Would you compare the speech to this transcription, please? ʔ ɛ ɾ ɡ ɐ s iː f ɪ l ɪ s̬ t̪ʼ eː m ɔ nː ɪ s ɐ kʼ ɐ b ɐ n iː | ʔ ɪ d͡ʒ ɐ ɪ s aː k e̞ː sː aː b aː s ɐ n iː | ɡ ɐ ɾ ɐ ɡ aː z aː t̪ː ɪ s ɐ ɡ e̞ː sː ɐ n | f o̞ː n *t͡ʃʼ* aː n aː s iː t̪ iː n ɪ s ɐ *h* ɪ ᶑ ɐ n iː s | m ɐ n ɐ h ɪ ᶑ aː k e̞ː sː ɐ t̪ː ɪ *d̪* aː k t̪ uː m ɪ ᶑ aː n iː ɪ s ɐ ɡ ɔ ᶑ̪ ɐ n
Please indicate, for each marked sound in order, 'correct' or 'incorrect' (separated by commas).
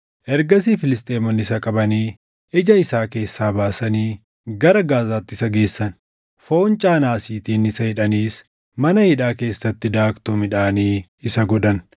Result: correct, correct, correct